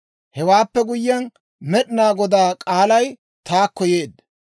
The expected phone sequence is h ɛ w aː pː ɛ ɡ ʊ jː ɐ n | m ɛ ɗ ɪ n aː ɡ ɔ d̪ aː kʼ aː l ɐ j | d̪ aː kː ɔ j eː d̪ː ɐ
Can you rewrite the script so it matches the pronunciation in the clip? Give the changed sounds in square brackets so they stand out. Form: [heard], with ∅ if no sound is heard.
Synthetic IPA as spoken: h ɛ w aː pː ɛ ɡ ʊ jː ɐ n | m ɛ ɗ ɪ n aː ɡ ɔ d̪ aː kʼ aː l ɐ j | [t̪] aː kː ɔ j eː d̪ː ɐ